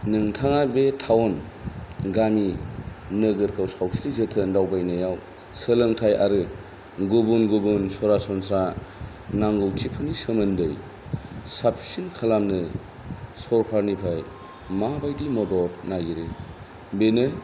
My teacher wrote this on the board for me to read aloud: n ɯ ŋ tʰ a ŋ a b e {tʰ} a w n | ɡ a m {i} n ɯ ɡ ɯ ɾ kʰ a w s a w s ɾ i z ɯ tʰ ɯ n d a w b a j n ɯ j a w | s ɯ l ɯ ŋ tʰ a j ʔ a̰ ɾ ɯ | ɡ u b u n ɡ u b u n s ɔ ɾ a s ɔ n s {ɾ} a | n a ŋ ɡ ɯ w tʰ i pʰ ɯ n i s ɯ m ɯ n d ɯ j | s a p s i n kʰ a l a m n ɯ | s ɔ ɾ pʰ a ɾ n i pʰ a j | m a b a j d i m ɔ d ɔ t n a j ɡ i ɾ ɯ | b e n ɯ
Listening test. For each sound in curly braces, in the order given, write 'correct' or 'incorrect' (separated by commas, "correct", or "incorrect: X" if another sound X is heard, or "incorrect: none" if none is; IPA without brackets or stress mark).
correct, correct, correct